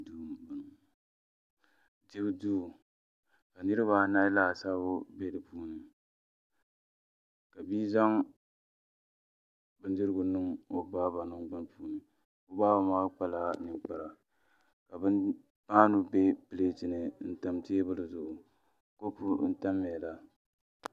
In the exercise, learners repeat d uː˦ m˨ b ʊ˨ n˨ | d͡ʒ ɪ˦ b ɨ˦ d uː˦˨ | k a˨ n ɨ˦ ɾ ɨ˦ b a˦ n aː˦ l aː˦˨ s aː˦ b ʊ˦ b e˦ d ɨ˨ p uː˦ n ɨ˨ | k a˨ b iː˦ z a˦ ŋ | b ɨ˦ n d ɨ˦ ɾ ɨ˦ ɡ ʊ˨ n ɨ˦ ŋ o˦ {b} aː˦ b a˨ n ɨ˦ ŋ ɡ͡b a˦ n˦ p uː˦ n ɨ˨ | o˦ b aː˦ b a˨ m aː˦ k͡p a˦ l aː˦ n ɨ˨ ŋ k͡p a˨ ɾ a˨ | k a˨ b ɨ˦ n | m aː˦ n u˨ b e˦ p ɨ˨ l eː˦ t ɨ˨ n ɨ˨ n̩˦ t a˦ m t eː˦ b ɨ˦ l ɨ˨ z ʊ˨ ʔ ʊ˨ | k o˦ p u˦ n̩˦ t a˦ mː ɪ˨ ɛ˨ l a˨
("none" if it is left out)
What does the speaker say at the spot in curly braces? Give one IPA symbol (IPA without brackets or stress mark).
b